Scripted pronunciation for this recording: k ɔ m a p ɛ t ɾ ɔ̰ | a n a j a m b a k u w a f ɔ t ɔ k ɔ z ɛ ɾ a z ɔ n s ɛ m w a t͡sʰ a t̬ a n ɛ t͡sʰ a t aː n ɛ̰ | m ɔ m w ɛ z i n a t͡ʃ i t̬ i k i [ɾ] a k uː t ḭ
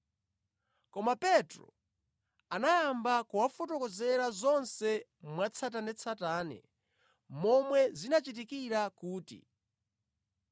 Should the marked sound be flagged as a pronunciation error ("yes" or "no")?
no